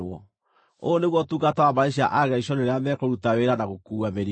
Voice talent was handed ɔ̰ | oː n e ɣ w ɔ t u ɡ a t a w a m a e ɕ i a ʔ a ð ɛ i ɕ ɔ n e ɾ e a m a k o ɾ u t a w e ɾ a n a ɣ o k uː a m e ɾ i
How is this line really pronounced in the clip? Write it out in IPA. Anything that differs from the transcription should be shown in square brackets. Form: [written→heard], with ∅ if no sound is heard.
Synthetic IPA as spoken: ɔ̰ | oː n e ɣ w ɔ t u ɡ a t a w a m a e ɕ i a ʔ a [ð→ɣ] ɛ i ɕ ɔ n e ɾ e a m [a→ɛ] k o ɾ u t a w e ɾ a n a ɣ o k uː a m e ɾ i